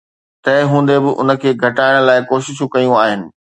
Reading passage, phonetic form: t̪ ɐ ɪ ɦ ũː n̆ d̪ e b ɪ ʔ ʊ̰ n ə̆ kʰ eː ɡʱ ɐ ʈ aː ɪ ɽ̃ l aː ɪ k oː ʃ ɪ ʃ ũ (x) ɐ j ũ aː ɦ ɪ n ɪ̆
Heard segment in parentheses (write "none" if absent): k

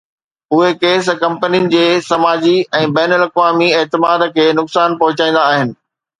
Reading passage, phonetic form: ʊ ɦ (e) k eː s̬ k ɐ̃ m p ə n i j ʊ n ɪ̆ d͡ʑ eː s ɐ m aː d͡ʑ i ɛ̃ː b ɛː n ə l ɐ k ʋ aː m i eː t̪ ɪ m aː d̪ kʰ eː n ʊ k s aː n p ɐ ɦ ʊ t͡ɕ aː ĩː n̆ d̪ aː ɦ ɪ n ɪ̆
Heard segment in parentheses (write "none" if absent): e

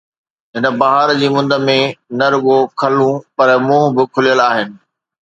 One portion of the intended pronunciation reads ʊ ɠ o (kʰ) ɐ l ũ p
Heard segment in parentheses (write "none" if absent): kʰ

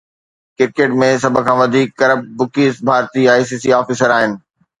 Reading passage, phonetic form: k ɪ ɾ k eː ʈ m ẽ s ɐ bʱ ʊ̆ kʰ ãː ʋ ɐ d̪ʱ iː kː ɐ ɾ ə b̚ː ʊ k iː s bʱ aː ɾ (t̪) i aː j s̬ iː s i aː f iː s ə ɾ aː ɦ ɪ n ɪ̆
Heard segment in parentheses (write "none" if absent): t̪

